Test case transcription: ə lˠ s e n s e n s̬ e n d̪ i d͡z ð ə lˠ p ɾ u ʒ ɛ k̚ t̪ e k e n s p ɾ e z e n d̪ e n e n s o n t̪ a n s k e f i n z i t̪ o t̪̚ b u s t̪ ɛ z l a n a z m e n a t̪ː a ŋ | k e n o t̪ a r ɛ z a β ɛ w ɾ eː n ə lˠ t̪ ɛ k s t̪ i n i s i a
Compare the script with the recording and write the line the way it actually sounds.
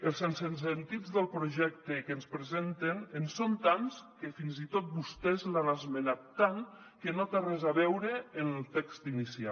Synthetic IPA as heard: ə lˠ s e n s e n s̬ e n t̪ i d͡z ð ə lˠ p ɾ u ʒ ɛ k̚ t̪ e k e n s p ɾ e z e n t̪ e n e n s o n t̪ a n s k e f i n z i t̪ o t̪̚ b u s t̪ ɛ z l a n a z m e n a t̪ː a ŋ | k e n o t̪ a r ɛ z a β ɛ w ɾ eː n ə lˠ t̪ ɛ k s t̪ i n i s i a